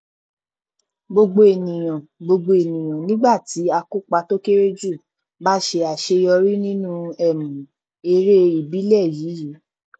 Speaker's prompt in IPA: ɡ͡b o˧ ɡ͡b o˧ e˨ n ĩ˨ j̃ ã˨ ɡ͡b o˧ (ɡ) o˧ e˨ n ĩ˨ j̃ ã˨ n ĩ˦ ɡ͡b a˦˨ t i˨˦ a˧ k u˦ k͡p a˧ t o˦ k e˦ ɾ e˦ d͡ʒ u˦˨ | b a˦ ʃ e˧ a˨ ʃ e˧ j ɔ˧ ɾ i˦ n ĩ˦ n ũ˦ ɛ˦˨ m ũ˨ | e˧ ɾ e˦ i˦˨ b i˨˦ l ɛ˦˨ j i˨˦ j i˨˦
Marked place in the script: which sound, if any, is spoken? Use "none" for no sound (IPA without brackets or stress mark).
ɡ͡b